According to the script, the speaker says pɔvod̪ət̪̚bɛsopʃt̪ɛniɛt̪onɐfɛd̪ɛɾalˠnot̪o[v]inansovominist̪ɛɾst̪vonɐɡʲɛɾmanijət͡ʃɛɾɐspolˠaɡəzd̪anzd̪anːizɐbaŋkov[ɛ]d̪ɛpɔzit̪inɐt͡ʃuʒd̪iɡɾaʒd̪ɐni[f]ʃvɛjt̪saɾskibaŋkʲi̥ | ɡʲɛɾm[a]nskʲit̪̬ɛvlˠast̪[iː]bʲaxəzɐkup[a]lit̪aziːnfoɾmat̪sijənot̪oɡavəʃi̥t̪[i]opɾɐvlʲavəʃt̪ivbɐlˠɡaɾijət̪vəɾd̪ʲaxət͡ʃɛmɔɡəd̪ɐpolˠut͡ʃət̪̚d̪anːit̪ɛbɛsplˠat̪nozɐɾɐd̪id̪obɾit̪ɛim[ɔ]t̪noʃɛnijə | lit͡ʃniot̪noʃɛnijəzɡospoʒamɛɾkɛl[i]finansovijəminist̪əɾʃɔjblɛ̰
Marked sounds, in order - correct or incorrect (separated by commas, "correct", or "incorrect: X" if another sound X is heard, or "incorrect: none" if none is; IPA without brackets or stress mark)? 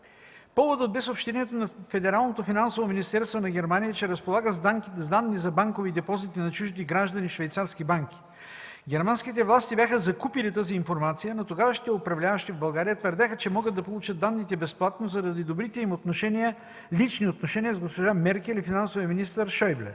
incorrect: f, incorrect: i, correct, correct, incorrect: i, incorrect: i, incorrect: ɛ, incorrect: o, correct